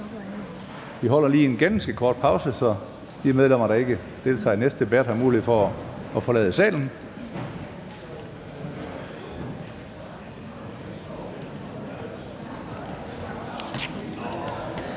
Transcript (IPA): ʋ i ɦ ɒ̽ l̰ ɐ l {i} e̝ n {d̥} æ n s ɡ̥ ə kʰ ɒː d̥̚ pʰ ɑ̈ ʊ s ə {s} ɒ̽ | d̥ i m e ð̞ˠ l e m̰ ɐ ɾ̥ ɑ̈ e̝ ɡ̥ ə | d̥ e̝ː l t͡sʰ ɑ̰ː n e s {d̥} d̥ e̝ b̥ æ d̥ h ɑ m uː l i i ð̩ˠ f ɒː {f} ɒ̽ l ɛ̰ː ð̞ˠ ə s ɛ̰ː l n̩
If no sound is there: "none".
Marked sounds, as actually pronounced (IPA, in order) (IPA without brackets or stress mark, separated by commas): iː, ɡ̥, s, d̥, f